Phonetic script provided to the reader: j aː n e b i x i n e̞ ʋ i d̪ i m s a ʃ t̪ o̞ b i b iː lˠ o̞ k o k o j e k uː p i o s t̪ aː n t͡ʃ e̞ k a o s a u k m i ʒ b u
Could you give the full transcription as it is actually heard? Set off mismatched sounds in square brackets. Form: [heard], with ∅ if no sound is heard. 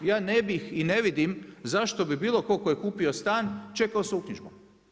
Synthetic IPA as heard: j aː n e b i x i n e̞ ʋ i d̪ i m [z] a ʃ t̪ o̞ b i b iː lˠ o̞ k o k o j e k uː p i o s t̪ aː n t͡ʃ e̞ k a o s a u k [ɲ] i ʒ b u